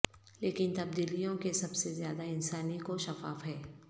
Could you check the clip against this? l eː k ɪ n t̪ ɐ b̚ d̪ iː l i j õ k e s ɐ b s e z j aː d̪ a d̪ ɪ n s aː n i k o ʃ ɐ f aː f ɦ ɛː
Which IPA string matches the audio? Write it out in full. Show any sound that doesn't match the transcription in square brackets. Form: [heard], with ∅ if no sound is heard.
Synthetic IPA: l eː k ɪ n t̪ ɐ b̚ d̪ iː l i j õ k e s ɐ b s e z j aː d̪ a [∅] ɪ n s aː n i k o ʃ ɐ f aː f ɦ ɛː